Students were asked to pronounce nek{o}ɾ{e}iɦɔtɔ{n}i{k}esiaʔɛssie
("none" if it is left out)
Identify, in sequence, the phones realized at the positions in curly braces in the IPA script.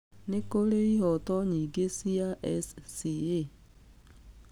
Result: o, e, ɲ, ɡ

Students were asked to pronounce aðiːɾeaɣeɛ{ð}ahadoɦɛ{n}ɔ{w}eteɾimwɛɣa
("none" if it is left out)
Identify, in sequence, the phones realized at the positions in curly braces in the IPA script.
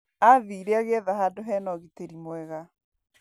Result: ð, n, ɣ

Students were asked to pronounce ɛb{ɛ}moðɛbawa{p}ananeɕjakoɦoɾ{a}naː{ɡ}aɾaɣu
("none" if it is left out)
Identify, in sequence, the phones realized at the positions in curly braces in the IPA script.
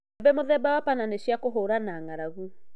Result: ɛ, p, a, ŋ

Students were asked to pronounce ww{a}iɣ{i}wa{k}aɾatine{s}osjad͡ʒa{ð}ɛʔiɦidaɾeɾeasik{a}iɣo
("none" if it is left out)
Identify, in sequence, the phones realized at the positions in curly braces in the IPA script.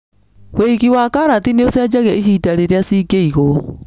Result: e, i, k, none, ɣ, e

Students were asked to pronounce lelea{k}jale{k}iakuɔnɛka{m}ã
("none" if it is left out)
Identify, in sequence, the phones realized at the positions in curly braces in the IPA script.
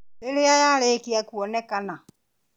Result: none, k, n

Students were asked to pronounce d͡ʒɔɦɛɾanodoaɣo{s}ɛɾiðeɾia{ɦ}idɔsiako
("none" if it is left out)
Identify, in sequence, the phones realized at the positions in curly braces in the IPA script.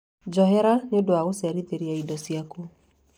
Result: s, none

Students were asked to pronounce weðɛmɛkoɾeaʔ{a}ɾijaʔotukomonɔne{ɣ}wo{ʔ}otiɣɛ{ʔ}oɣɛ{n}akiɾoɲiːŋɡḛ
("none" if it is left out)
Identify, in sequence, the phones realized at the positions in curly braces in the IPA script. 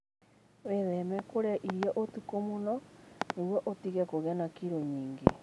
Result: i, ɣ, ʔ, k, n

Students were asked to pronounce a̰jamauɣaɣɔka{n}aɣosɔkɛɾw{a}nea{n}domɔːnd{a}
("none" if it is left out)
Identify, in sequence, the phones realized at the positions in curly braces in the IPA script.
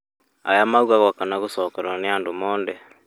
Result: n, a, n, ɛ

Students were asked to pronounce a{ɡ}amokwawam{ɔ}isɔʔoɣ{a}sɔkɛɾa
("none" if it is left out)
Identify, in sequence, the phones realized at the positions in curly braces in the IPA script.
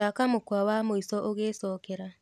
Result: k, o, e

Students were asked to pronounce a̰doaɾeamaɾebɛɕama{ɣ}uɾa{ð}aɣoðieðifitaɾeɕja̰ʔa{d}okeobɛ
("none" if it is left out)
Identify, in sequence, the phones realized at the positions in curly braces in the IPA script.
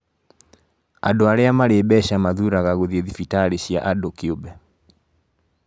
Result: ð, ɣ, d

